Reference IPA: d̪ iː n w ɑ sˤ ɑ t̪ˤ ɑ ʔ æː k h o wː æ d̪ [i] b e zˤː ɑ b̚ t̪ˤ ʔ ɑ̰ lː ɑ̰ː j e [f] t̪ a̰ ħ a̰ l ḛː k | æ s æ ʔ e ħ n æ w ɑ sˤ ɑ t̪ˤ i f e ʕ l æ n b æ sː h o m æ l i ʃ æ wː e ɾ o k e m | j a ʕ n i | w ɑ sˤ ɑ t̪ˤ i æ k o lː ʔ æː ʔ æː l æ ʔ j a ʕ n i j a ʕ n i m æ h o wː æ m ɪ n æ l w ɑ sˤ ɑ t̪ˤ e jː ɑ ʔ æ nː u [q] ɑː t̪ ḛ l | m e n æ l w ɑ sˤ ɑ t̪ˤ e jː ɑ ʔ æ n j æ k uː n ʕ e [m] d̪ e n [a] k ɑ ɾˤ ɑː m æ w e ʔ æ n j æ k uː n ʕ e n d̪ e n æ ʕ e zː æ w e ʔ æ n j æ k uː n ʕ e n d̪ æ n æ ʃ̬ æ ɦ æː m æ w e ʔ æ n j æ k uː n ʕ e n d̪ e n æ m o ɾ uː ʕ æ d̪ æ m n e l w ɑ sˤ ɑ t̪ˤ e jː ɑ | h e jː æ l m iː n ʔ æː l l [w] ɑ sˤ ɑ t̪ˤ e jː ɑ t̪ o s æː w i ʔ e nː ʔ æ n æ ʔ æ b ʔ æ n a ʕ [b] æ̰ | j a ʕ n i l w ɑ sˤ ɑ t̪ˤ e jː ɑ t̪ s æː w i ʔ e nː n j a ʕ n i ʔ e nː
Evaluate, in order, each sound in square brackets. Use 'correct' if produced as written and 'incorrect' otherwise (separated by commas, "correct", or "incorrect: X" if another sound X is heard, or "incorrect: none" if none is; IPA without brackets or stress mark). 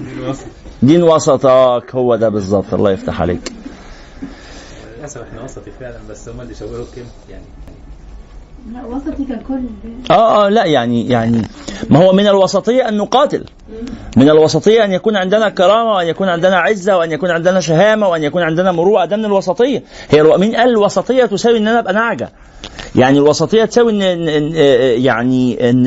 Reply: incorrect: æ, correct, correct, incorrect: n, incorrect: æ, correct, incorrect: ɡ